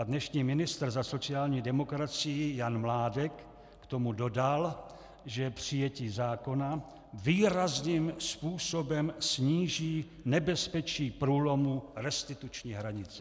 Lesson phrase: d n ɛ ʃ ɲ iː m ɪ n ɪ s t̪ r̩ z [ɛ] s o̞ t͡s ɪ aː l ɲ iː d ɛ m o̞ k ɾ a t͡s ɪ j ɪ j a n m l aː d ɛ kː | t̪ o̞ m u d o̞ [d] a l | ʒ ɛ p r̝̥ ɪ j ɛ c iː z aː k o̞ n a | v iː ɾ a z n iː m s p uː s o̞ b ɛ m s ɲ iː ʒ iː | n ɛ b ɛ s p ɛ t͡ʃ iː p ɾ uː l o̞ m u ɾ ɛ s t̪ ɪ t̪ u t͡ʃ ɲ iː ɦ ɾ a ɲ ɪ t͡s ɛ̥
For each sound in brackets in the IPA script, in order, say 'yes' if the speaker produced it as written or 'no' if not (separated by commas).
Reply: no, yes